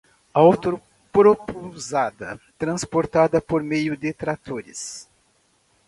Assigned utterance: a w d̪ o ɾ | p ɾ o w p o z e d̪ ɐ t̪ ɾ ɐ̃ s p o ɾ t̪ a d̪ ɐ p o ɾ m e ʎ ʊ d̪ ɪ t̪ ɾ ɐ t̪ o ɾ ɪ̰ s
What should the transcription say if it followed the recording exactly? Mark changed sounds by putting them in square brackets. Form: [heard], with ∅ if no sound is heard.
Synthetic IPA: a w [t̪] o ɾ | p ɾ o [∅] p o z [a] d̪ ɐ t̪ ɾ ɐ̃ s p o ɾ t̪ a d̪ ɐ p o ɾ m e [j] ʊ d̪ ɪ t̪ ɾ [a] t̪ o ɾ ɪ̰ s